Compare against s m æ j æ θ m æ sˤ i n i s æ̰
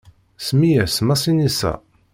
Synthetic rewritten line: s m i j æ s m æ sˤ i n i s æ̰